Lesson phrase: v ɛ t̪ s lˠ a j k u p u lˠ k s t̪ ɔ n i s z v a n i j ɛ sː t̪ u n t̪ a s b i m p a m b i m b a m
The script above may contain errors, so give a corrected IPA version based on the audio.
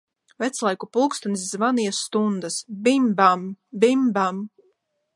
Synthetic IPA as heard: v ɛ t̪ s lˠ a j k u p u lˠ k s t̪ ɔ n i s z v a n i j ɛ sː t̪ u n d̪ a s b i m b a m b i m b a m